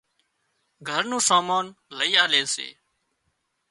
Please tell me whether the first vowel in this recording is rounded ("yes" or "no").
no